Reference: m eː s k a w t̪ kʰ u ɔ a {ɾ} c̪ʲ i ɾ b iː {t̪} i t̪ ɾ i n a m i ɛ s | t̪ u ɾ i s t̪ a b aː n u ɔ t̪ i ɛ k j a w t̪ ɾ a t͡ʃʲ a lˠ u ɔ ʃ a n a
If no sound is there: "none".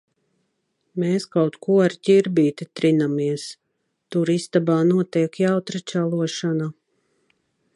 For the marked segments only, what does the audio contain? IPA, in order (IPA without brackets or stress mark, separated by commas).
ɾ, t̪